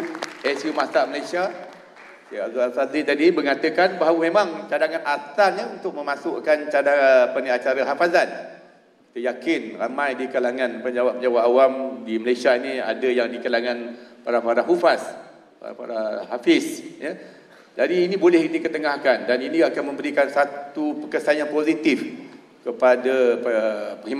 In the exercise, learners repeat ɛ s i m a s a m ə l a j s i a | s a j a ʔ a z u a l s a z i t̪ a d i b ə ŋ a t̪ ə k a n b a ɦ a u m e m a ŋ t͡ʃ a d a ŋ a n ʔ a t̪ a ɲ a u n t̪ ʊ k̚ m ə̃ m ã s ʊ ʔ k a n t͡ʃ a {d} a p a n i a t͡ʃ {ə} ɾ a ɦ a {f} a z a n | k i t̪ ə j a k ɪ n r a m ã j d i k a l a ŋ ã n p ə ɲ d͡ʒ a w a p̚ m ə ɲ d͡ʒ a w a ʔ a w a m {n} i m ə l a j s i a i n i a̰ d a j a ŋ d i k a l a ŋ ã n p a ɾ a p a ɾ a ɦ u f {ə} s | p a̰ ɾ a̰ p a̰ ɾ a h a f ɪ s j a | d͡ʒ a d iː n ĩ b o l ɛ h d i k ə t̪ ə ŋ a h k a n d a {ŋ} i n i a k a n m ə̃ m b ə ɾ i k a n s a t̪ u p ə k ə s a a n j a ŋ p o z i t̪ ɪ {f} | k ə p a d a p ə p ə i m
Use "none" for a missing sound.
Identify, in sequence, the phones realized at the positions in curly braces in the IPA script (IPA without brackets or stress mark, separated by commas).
d, a, f, d, a, n, f